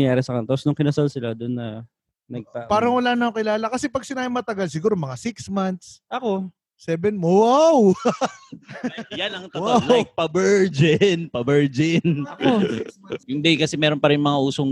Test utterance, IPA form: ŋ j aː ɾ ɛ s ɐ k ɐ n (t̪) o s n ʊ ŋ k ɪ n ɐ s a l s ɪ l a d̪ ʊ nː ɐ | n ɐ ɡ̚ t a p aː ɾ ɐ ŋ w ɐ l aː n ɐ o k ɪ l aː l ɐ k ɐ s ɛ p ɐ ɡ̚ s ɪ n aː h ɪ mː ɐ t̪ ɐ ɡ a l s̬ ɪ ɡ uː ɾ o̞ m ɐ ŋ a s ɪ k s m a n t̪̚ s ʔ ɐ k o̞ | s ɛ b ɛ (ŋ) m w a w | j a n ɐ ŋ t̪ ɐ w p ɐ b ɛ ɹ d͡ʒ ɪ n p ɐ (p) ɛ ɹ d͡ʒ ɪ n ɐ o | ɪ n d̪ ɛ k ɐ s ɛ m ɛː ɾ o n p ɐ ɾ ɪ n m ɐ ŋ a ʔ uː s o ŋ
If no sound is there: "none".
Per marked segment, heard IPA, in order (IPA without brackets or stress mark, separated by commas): t̪, n, b